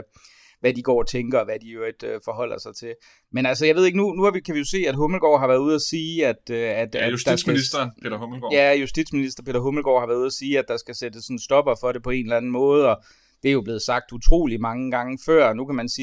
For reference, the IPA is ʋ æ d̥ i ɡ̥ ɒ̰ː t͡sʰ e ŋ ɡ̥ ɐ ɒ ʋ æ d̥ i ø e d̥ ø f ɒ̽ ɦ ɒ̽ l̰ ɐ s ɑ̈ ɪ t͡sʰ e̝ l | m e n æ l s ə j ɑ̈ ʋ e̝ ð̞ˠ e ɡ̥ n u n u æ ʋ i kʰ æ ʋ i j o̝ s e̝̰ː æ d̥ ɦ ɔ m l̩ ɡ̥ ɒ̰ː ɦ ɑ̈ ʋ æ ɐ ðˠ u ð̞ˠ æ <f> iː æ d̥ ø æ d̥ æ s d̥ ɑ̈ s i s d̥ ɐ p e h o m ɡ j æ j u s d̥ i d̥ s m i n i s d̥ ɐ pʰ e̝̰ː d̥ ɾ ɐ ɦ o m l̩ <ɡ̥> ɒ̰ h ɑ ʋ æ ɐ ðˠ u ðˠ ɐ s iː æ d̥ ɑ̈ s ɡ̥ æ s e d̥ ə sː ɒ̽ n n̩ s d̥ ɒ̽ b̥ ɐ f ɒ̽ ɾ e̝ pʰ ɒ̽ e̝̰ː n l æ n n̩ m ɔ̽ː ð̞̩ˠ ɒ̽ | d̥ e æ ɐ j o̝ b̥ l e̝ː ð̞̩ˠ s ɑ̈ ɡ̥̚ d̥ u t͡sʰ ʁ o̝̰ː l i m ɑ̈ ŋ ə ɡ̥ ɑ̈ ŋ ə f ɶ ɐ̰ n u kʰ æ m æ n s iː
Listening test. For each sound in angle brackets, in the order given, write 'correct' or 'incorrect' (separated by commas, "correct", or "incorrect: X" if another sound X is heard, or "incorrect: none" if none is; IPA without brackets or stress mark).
incorrect: s, correct